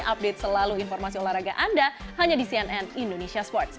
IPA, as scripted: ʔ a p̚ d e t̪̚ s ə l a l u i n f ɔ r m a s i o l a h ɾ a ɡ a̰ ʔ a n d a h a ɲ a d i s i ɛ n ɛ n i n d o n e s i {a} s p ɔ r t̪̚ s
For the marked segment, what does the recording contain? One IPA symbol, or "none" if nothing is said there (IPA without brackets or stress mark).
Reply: a